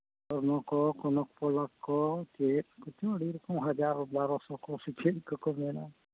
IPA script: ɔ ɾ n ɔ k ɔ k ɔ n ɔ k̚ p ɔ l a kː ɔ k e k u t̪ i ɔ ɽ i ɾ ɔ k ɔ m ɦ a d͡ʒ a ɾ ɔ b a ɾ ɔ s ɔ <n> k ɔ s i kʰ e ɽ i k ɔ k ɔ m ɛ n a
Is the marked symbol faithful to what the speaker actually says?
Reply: no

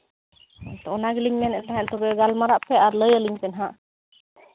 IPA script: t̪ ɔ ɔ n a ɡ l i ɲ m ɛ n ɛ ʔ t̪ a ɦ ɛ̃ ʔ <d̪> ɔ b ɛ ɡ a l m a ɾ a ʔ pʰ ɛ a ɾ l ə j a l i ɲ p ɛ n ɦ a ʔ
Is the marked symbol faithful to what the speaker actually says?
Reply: no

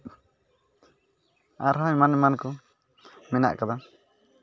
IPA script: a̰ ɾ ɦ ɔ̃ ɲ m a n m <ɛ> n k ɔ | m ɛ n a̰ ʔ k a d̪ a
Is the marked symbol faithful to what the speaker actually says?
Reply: no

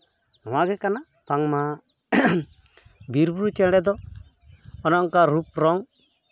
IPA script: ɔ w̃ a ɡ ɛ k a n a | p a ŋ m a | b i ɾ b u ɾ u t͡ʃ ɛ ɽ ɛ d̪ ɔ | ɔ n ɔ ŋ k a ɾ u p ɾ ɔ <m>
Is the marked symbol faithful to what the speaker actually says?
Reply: no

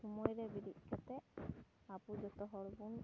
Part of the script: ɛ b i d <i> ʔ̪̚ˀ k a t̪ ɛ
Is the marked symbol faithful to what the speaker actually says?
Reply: yes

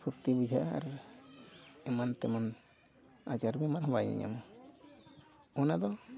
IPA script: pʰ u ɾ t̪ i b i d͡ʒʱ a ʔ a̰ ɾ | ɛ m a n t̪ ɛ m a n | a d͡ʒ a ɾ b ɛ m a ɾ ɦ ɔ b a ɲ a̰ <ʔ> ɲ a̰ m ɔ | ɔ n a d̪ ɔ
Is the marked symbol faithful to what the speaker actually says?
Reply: no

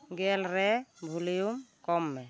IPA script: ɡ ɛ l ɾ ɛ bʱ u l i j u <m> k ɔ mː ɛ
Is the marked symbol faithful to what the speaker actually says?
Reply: yes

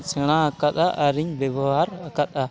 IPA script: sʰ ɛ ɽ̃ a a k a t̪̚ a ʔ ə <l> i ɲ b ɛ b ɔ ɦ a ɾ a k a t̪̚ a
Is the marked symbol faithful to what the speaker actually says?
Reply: no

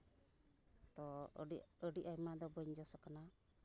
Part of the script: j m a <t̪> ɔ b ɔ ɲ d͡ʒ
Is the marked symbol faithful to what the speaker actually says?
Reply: no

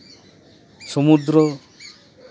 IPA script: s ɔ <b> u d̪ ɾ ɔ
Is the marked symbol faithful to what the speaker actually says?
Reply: no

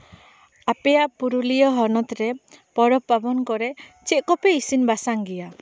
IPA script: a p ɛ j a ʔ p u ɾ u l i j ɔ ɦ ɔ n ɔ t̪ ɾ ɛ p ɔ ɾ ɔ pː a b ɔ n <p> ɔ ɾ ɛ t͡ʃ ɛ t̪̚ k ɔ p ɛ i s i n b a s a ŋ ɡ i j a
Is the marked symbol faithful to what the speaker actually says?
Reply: no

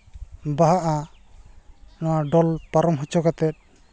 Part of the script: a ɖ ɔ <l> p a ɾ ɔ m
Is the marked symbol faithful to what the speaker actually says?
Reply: yes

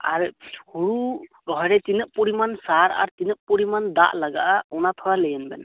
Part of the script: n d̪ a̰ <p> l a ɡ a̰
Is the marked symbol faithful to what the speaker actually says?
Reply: no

